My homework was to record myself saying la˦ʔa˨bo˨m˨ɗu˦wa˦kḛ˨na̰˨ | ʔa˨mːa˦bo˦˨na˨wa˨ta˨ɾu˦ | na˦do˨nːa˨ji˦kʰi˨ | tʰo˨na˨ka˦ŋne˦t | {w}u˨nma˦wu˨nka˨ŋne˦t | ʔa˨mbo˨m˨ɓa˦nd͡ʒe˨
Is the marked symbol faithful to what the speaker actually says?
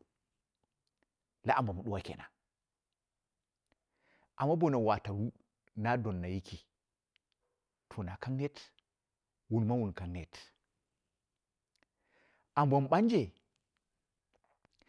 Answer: yes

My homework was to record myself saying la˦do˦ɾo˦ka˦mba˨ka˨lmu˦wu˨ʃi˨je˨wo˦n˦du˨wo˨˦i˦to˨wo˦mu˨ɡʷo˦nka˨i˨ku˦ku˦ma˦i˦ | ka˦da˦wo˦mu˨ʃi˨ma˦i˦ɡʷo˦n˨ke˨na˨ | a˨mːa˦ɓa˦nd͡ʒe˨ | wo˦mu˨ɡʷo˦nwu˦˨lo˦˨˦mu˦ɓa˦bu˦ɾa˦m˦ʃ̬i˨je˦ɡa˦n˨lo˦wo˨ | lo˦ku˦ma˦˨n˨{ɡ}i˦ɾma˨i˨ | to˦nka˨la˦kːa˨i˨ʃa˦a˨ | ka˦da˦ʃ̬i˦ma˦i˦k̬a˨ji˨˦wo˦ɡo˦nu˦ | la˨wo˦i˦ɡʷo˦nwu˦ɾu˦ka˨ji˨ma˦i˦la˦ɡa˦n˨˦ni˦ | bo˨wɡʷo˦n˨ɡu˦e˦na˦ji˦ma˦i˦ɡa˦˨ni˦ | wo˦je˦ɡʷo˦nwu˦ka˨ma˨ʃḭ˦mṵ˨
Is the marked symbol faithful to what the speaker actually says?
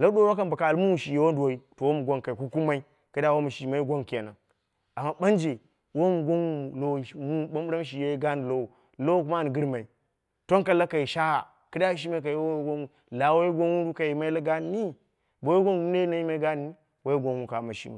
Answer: yes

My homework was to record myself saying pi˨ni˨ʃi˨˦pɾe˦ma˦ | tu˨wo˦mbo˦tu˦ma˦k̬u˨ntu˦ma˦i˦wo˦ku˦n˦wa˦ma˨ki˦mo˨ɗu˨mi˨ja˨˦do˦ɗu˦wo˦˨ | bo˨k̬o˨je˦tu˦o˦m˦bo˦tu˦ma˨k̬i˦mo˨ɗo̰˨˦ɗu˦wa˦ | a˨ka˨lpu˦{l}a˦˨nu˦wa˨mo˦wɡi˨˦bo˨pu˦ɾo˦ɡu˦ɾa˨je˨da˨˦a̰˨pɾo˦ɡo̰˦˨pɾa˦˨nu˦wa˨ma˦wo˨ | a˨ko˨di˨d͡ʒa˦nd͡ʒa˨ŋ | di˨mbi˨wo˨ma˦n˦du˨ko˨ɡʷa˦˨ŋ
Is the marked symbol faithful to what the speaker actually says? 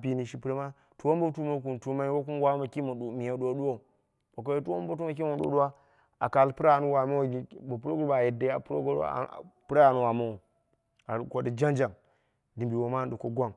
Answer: no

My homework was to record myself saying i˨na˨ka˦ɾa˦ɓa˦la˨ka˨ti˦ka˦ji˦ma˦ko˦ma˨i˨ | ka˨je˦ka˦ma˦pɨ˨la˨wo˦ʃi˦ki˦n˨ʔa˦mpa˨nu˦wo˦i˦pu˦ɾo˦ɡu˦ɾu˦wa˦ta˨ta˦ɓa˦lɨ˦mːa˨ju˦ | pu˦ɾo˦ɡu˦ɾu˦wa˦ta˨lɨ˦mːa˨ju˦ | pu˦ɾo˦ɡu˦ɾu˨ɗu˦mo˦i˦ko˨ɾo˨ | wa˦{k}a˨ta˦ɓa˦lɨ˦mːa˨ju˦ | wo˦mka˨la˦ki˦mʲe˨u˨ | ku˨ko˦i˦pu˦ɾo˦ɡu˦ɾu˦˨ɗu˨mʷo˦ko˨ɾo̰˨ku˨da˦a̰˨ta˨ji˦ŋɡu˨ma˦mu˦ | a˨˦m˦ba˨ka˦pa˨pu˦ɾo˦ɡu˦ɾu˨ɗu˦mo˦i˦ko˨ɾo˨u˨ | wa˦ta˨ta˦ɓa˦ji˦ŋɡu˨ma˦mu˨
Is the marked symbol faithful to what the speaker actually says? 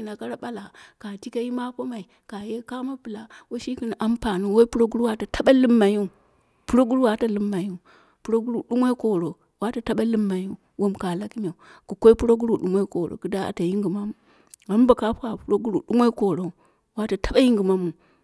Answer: no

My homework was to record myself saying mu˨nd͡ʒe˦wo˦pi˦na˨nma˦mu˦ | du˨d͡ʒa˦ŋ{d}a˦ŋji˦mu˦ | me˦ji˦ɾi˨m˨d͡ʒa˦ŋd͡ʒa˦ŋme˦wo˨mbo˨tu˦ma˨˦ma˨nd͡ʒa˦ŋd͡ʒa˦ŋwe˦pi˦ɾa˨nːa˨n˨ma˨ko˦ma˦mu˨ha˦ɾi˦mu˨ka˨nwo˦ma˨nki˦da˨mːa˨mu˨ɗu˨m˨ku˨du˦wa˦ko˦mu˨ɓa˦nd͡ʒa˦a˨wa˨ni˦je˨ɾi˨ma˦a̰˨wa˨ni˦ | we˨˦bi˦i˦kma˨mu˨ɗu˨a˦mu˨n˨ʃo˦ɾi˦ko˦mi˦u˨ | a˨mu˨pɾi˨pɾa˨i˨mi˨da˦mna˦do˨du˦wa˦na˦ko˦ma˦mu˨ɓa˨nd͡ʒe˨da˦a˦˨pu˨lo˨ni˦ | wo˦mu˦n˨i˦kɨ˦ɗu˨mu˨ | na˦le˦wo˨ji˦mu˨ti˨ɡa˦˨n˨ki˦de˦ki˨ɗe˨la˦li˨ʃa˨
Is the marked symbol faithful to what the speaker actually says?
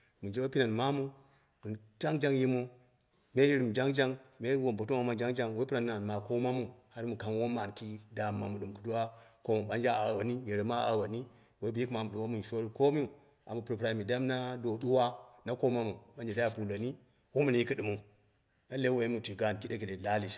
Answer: no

